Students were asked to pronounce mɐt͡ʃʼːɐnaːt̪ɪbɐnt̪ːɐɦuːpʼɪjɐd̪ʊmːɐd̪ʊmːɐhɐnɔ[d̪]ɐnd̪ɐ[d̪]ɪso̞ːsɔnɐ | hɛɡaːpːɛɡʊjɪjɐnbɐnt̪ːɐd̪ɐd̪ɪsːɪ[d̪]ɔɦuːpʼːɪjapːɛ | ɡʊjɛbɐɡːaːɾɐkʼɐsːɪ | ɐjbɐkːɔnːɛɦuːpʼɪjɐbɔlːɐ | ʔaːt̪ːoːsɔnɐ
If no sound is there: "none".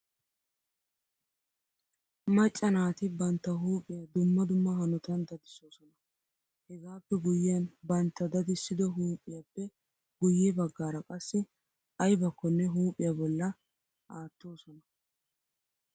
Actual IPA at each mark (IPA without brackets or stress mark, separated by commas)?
t̪, d̪, d̪